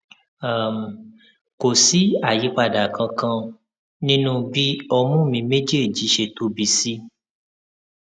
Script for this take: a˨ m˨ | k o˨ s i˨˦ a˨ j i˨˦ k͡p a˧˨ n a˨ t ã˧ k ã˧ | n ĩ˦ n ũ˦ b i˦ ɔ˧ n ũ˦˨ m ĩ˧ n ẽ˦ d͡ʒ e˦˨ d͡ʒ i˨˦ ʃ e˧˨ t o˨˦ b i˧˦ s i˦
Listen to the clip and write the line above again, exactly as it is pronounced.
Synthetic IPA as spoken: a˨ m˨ | k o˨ s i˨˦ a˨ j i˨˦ k͡p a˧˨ d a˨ k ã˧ k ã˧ | n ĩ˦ n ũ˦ b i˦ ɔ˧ m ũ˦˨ m ĩ˧ m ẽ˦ d͡ʒ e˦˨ d͡ʒ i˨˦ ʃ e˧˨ t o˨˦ b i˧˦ s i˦